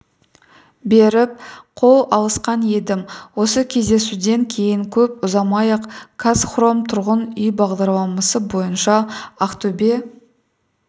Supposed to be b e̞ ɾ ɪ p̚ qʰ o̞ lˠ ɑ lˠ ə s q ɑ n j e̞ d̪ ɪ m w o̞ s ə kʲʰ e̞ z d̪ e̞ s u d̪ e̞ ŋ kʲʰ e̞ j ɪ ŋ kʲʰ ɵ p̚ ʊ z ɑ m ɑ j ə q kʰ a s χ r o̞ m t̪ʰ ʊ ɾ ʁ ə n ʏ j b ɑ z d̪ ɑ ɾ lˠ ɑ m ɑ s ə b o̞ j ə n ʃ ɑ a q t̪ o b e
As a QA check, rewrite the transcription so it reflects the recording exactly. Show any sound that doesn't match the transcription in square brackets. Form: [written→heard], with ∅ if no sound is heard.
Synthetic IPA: b e̞ ɾ ɪ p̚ qʰ o̞ lˠ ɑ lˠ ə s q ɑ n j e̞ d̪ ɪ m w o̞ s ə kʲʰ e̞ z d̪ e̞ s u d̪ e̞ ŋ kʲʰ e̞ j ɪ ŋ kʲʰ ɵ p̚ ʊ z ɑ m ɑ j ə q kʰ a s χ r o̞ m t̪ʰ ʊ ɾ ʁ ə n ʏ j b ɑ [z→ʁ] d̪ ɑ ɾ lˠ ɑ m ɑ s ə b o̞ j ə n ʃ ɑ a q t̪ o b e